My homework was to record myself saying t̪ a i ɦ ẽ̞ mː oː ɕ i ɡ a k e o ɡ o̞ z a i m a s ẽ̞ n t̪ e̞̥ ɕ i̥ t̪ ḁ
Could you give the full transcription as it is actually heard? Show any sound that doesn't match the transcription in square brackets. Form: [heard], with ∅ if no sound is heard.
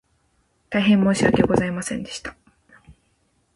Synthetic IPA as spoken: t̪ a i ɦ ẽ̞ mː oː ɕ i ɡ a k e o ɡ o̞ z a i m a s ẽ̞ n [d̪] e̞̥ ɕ i̥ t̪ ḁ